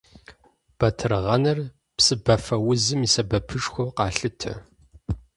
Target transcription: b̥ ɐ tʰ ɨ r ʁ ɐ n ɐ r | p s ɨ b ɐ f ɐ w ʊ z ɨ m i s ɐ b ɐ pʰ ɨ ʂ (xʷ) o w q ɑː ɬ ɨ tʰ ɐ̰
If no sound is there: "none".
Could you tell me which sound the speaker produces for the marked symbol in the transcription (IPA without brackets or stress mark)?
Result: xʷ